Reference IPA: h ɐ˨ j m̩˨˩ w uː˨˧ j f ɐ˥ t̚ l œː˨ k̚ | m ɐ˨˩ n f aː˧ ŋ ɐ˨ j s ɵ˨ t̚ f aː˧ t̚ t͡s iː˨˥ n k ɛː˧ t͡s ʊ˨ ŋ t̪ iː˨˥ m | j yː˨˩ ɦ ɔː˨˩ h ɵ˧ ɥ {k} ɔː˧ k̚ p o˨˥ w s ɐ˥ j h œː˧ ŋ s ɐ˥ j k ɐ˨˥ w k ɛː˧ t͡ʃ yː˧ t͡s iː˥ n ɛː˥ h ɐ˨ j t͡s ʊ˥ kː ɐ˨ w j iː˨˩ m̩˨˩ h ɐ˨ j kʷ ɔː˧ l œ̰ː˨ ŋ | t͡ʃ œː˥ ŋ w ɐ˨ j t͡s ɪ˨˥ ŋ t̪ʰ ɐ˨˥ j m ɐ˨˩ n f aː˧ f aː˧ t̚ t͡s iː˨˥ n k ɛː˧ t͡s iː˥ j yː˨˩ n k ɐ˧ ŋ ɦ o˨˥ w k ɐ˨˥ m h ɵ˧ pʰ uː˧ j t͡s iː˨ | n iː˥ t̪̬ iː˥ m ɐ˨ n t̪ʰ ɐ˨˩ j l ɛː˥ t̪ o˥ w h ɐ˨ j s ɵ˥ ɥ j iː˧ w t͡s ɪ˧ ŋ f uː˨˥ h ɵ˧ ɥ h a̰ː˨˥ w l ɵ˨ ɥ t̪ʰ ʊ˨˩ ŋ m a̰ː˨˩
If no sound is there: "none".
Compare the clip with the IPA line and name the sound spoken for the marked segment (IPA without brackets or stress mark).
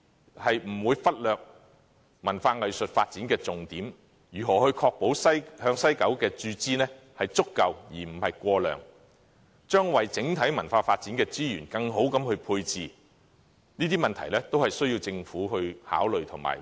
kʰ